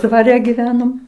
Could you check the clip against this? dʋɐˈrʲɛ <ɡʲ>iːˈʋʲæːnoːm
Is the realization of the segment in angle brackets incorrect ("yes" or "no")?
no